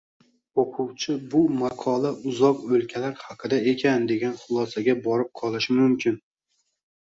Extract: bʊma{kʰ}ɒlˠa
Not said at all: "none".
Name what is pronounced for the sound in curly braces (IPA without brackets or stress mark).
qʰ